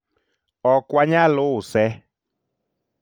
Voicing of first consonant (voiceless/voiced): voiceless